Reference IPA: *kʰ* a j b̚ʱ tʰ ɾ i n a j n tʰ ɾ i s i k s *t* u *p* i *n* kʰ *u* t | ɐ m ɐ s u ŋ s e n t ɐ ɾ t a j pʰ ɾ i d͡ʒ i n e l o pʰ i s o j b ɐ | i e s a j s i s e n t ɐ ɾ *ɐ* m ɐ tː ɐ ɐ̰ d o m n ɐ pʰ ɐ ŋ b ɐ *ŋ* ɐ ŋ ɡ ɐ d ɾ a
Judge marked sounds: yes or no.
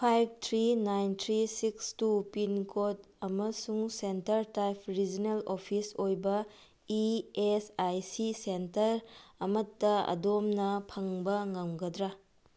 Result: no, yes, yes, yes, no, yes, yes

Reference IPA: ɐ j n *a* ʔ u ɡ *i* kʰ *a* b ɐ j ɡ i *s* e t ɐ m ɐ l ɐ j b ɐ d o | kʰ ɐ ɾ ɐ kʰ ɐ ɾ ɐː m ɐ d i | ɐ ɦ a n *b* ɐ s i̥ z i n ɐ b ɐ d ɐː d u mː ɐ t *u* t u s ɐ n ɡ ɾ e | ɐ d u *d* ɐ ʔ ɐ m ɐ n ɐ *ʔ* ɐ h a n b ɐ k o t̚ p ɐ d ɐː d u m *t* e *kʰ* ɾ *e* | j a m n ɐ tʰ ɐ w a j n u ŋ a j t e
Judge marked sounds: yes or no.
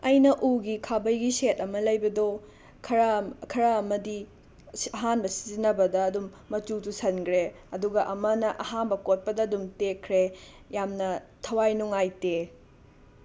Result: no, yes, yes, yes, yes, yes, no, yes, yes, yes, yes

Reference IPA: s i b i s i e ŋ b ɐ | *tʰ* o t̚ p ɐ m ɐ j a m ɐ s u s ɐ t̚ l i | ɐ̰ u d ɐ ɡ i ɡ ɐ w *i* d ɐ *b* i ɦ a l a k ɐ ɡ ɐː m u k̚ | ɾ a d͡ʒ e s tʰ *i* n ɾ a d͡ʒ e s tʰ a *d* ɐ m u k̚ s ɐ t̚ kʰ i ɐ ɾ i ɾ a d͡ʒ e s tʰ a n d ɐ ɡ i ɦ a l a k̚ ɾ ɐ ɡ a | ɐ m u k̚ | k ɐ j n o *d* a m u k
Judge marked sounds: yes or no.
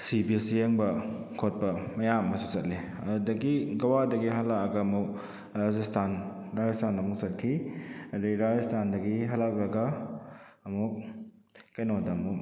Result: no, no, no, no, no, yes

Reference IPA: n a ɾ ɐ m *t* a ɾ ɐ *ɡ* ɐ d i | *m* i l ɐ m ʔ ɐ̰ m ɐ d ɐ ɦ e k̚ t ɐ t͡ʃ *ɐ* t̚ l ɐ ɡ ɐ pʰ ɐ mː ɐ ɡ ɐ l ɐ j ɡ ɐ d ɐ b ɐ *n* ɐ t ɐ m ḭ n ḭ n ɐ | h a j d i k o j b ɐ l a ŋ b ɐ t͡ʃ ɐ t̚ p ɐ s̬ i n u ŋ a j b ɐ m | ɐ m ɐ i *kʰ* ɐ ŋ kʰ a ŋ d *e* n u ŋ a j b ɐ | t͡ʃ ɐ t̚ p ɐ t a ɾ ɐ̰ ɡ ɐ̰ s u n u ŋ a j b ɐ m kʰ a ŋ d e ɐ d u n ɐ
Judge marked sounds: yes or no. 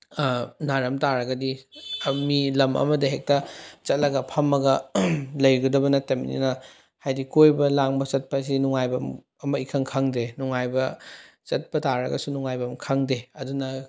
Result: yes, yes, yes, yes, yes, yes, yes

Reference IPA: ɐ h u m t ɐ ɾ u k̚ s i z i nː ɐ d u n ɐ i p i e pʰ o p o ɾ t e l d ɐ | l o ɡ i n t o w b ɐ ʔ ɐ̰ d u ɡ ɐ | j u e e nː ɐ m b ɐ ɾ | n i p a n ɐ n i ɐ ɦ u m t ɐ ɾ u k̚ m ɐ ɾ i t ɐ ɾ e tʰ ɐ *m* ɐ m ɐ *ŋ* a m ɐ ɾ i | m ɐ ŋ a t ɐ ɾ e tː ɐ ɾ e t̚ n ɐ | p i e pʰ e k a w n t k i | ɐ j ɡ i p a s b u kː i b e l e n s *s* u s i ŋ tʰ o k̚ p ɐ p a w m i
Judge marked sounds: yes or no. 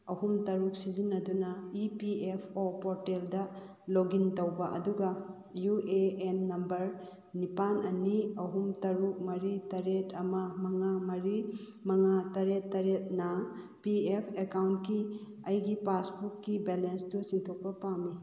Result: yes, yes, no

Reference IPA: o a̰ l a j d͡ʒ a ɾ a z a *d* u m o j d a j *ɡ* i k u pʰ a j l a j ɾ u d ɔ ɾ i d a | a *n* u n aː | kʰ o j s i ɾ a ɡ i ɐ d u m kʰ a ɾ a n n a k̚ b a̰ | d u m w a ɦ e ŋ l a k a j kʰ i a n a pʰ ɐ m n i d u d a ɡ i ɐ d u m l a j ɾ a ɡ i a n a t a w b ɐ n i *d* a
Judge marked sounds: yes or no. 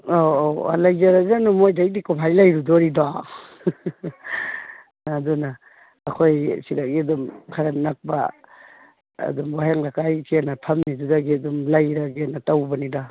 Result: no, no, no, yes

